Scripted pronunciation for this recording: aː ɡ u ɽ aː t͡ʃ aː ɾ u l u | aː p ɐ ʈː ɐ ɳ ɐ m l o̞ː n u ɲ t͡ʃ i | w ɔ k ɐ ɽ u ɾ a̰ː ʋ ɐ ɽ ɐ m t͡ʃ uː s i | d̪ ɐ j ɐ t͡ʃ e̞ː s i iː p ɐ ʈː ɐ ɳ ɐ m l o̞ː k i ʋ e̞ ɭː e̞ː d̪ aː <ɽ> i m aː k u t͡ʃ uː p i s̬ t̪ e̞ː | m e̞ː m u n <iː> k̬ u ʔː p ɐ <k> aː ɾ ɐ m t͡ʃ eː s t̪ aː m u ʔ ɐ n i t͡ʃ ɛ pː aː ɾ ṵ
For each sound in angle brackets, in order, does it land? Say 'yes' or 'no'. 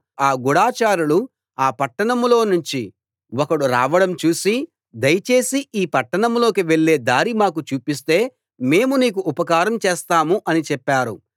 no, yes, yes

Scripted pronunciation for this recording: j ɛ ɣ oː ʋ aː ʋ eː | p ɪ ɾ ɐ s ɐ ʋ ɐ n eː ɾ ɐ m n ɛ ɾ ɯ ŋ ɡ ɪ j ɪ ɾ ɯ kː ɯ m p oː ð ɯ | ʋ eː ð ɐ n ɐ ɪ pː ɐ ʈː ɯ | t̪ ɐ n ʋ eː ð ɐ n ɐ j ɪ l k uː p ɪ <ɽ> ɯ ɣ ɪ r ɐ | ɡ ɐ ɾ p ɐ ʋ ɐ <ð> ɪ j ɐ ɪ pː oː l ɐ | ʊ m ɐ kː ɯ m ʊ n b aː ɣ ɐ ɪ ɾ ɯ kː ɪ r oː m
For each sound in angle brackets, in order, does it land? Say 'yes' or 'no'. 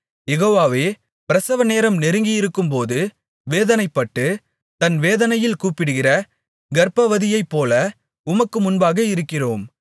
yes, yes

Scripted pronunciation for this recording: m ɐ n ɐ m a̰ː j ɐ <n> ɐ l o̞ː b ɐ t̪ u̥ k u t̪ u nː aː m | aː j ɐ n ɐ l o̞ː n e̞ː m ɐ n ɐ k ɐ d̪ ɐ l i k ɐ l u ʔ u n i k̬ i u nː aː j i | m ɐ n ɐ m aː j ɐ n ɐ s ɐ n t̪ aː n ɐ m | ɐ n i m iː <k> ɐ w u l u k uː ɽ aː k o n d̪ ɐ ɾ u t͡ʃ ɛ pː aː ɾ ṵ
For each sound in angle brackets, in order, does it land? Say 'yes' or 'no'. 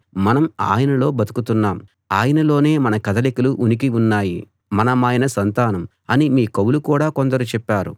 yes, yes

